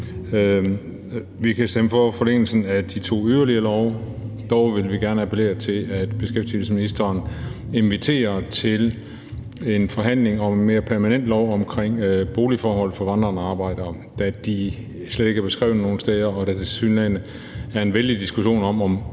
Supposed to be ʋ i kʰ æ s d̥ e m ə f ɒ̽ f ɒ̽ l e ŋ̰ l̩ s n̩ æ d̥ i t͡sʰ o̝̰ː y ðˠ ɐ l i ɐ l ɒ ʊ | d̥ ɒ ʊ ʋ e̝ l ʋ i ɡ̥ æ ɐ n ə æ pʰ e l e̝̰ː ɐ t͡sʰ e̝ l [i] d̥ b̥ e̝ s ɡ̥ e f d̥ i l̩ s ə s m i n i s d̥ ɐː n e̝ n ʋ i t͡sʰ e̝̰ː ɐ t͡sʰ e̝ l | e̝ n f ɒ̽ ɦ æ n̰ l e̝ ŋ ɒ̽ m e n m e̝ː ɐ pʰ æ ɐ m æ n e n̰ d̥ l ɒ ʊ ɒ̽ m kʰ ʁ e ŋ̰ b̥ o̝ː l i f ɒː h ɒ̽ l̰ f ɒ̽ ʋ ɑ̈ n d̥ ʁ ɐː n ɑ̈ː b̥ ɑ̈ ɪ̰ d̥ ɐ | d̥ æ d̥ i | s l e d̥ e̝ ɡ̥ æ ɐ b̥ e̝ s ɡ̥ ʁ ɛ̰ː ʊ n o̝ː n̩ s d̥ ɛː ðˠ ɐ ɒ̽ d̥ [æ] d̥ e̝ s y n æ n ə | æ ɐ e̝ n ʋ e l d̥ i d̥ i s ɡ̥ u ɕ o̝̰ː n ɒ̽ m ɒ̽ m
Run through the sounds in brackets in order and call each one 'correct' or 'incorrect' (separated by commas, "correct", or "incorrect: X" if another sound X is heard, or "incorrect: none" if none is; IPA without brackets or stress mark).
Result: incorrect: æ, correct